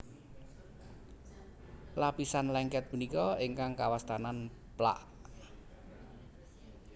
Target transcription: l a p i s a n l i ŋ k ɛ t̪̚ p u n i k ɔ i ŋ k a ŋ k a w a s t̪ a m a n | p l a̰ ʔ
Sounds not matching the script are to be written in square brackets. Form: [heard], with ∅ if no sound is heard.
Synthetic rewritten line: l a p i s a n l [ɛ] ŋ k ɛ t̪̚ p u n i k ɔ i ŋ k a ŋ k a w a s t̪ a [n] a n | p l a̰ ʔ